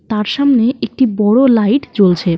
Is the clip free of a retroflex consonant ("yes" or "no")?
no